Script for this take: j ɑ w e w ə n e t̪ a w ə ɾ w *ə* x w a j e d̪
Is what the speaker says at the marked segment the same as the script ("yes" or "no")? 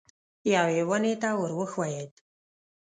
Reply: yes